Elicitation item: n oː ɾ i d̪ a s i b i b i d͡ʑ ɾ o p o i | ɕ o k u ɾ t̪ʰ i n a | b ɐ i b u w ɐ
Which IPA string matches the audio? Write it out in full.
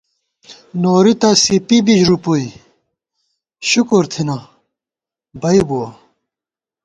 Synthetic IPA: n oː ɾ i t̪ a s i p i b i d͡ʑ ɾ u p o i | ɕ u k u ɾ t̪ʰ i n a | b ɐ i b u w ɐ